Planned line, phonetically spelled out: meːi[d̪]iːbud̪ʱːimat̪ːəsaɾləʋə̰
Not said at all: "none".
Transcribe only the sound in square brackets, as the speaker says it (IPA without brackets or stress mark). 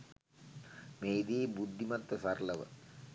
d̪